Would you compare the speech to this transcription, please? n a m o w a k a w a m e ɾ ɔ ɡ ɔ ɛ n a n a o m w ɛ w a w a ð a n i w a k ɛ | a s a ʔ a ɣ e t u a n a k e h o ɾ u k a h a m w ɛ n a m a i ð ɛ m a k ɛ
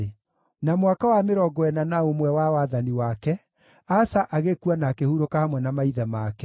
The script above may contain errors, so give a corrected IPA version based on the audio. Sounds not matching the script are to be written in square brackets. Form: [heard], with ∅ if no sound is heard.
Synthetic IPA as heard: n a m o w a k a w a m e ɾ ɔ ɡ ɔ ɛ n a n a o m w ɛ w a w a ð a n i w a k ɛ | a s a ʔ a ɣ e [k] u a n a k e h [u] ɾ [o] k a h a m w ɛ n a m a i ð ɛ m a k ɛ

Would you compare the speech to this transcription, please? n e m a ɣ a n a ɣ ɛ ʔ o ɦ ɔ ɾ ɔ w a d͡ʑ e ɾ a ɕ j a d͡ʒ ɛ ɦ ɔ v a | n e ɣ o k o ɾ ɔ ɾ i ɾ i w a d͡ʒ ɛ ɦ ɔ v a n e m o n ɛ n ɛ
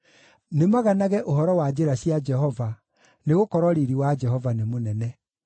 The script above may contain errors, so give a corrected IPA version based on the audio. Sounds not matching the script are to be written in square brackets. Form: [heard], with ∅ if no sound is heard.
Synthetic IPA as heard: n e m a ɣ a n a ɣ ɛ ʔ o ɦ ɔ ɾ ɔ w a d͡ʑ e ɾ a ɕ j a d͡ʒ ɛ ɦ ɔ v a | n e ɣ o k [ɔ] ɾ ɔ ɾ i ɾ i w a d͡ʒ ɛ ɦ ɔ v a n e m o n ɛ n ɛ

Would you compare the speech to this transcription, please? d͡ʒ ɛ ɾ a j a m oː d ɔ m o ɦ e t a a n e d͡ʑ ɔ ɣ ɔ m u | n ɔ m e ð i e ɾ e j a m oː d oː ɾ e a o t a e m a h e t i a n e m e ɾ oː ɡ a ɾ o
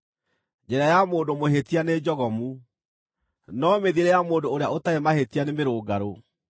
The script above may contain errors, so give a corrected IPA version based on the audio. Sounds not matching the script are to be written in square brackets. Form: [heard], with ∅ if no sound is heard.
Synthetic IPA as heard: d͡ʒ ɛ ɾ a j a m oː d [o] m o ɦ e t [i] a n e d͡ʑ ɔ ɣ ɔ m u | n ɔ m e ð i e ɾ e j a m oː d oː ɾ e a o t a e m a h e t i a n e m e ɾ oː ɡ a ɾ o

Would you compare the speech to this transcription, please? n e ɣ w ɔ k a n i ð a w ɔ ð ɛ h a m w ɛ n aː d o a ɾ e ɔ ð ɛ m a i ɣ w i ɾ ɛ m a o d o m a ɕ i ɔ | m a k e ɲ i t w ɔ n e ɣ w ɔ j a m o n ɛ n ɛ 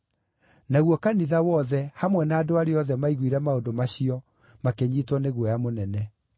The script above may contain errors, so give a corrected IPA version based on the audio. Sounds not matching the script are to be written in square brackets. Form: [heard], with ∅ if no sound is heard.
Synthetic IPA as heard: n [a] ɣ w ɔ k a n i ð a w ɔ ð ɛ h a m w ɛ n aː d o a ɾ e ɔ ð ɛ m a i ɣ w i ɾ ɛ m a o d o m a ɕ i ɔ | m a k e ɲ i t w ɔ n e ɣ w ɔ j a m o n ɛ n ɛ

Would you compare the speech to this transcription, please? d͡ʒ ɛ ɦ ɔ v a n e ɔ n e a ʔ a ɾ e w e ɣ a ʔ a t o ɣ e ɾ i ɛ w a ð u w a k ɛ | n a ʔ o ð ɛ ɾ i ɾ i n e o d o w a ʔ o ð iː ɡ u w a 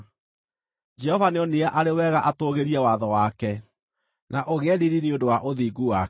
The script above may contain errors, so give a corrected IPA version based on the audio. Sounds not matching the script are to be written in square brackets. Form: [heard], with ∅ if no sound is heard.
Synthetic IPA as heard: d͡ʒ ɛ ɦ ɔ v a n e ɔ n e a ʔ a ɾ e w [ɛ] ɣ a ʔ a t o ɣ e ɾ i ɛ w a ð [ɔ] w a k ɛ | n a ʔ o [ɣ] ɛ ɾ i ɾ i n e o d o w a ʔ o ð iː ɡ u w a

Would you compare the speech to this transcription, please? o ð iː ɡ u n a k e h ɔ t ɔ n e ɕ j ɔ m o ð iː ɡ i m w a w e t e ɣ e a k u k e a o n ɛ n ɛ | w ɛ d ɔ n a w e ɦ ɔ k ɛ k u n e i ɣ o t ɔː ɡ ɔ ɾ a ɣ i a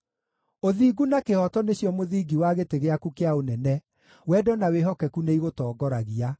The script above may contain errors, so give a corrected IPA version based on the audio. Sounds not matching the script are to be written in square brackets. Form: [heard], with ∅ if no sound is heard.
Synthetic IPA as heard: o ð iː ɡ u n a k e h ɔ t ɔ n e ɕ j ɔ m o ð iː ɡ i [∅] w a [ɣ] e t e ɣ e a k u k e a o n ɛ n ɛ | w ɛ d ɔ n a w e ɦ ɔ k ɛ k u n e i ɣ o t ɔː ɡ ɔ ɾ a ɣ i a

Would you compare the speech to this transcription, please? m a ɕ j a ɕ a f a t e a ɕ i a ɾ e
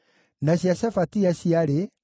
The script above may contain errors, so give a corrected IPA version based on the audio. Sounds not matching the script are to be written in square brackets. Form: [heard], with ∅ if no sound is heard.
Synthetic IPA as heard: [n] a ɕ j a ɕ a f a t [i] a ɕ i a ɾ e

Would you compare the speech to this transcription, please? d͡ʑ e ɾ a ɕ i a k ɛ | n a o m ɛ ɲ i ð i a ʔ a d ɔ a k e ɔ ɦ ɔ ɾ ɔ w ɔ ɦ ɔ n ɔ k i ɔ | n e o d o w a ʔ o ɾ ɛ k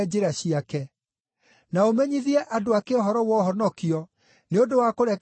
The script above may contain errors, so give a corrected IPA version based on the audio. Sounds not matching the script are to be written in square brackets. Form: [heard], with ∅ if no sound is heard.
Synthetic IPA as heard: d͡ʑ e ɾ a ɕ i a k ɛ | n a o m ɛ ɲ i ð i [ɛ] ʔ a d [o] a k e ɔ ɦ ɔ ɾ ɔ w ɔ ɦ ɔ n ɔ k i ɔ | n e o d o w a [k] o ɾ ɛ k

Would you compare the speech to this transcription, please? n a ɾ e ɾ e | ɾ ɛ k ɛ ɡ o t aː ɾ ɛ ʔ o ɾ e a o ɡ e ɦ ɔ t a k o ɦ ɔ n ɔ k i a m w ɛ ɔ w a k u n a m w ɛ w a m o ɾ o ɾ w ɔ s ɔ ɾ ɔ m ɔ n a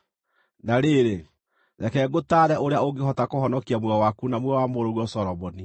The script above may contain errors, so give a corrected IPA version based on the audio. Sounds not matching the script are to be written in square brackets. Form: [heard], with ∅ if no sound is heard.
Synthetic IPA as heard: n a ɾ e ɾ e | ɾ ɛ k ɛ ɡ o t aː ɾ ɛ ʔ o ɾ e a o ɡ e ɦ ɔ t a k o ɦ ɔ n ɔ k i a m w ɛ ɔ w a k u n a m w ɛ w a m o ɾ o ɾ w ɔ s ɔ ɾ ɔ m ɔ n [i]

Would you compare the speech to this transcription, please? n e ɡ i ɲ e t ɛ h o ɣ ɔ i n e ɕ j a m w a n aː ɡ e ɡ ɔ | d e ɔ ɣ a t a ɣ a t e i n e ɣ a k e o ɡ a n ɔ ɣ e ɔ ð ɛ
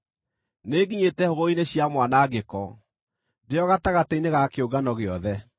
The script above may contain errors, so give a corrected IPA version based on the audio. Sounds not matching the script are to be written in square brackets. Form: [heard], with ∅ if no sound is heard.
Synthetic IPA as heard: n e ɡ i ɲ e t ɛ h o ɣ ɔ i n e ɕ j a m w a n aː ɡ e [k] ɔ | d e ɔ ɣ a t a ɣ a t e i n e ɣ a k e o ɡ a n ɔ ɣ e ɔ ð ɛ

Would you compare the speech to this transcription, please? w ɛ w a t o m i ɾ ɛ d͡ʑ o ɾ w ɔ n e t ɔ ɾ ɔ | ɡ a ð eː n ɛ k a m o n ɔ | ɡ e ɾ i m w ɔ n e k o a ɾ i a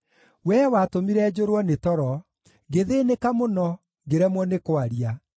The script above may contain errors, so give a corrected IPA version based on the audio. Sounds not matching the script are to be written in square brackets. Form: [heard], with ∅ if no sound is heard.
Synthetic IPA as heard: w ɛ w a t o m i ɾ ɛ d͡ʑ o ɾ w ɔ n e t ɔ ɾ ɔ | ɡ [e] ð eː n [e] k a m o n ɔ | ɡ e ɾ [ɛ] m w ɔ n e k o a ɾ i a

